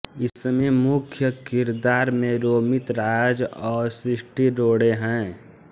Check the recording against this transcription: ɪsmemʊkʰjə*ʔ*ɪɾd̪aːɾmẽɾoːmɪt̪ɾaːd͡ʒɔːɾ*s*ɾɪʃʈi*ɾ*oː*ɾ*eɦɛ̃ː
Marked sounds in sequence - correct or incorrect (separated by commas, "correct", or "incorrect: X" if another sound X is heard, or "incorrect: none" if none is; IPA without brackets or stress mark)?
incorrect: k, correct, correct, incorrect: ɽ